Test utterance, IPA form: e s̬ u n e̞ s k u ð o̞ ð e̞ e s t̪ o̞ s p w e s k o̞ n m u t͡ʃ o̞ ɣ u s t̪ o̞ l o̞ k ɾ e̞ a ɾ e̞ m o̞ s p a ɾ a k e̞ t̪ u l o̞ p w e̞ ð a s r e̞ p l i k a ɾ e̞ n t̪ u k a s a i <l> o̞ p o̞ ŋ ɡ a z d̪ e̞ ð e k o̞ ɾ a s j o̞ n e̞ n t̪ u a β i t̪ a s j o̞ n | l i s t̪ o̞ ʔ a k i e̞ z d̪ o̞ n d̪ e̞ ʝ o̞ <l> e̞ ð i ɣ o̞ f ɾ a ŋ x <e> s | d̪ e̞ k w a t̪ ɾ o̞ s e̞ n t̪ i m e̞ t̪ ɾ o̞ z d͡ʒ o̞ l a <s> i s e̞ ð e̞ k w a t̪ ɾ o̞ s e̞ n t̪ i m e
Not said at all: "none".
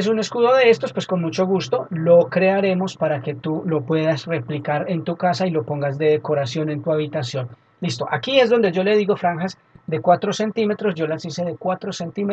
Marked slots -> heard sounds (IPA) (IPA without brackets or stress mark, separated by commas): l, l, a, s